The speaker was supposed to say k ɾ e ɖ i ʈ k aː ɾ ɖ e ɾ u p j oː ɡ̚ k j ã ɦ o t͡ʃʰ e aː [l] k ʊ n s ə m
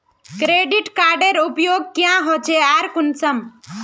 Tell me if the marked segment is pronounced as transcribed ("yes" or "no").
no